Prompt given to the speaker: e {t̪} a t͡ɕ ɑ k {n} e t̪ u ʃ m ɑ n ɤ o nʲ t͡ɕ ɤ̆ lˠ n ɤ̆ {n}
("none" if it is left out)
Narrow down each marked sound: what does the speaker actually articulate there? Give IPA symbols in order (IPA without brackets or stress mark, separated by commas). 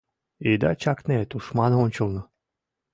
d̪, n, none